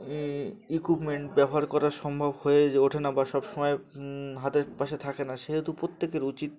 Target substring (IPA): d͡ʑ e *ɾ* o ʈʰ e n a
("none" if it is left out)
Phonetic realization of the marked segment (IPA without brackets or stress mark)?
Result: none